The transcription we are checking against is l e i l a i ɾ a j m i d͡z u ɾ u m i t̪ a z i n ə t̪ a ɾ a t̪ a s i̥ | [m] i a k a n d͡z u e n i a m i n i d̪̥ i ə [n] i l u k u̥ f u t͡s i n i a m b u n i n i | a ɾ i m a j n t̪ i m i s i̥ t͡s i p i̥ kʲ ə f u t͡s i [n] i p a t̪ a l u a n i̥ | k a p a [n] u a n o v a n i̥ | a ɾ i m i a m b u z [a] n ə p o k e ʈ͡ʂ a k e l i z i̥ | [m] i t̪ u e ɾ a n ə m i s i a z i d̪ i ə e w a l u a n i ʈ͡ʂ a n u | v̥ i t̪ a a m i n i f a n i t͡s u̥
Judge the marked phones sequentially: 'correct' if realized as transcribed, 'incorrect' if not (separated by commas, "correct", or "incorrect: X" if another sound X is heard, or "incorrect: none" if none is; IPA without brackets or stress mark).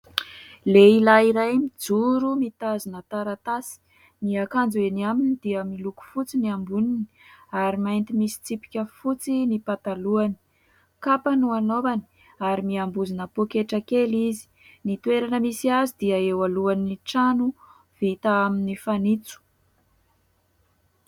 incorrect: n, incorrect: m, correct, correct, incorrect: i, incorrect: n